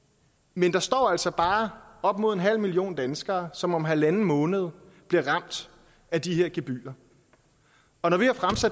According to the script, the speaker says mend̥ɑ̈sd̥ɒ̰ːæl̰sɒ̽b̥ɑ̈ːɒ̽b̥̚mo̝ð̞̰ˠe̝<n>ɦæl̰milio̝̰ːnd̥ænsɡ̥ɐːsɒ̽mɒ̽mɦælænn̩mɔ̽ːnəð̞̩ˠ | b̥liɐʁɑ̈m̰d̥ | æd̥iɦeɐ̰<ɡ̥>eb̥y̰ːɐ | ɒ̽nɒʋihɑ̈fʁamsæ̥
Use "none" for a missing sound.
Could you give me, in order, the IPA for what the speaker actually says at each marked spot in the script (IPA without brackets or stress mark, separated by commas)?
n, ɡ̥